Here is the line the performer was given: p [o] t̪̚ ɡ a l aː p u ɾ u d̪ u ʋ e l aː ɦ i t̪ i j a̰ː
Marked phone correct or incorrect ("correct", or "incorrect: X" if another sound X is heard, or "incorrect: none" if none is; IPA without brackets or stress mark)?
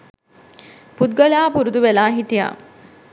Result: incorrect: u